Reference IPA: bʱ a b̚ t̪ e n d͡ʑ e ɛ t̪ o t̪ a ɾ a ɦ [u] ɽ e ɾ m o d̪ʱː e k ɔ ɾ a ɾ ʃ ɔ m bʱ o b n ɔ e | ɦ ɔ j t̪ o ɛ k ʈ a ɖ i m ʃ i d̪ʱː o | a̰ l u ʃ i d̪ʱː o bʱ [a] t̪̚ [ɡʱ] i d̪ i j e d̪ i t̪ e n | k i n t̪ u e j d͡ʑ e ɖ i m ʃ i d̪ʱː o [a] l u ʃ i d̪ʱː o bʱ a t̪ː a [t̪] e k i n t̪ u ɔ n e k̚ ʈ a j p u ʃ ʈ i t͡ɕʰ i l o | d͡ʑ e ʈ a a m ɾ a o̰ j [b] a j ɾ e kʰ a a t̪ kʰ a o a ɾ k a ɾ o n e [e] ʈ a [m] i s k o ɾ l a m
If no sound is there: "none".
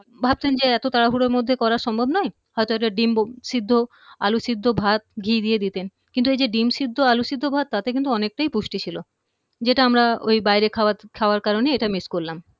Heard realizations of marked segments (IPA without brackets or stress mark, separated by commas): u, a, ɡʱ, a, t̪, b, e, m